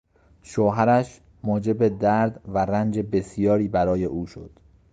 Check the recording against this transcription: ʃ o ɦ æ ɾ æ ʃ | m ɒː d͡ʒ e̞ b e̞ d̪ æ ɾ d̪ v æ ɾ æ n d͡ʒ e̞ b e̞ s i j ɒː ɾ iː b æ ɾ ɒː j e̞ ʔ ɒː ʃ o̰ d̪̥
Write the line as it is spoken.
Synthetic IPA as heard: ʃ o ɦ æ ɾ æ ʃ | m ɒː d͡ʒ e̞ b e̞ d̪ æ ɾ d̪ v æ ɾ æ n d͡ʒ e̞ b e̞ s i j ɒː ɾ iː b æ ɾ ɒː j e̞ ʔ uː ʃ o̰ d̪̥